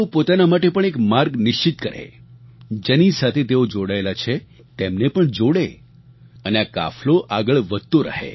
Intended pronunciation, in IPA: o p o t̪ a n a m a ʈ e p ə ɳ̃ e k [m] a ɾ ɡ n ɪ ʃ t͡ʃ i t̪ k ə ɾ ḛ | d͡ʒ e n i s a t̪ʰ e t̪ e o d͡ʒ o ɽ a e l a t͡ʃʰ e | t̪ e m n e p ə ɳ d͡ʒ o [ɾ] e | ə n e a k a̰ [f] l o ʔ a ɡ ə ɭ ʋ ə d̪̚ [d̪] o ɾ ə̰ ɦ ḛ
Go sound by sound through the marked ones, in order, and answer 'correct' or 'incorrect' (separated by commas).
correct, incorrect, correct, incorrect